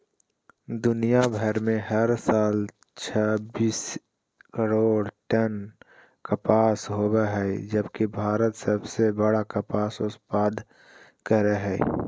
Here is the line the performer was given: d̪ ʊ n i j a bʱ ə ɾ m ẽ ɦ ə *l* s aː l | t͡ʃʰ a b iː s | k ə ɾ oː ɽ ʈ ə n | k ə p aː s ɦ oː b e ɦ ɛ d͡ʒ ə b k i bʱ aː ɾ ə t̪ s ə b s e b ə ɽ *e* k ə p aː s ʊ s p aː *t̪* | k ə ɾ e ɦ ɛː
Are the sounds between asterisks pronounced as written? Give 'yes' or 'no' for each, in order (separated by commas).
no, no, no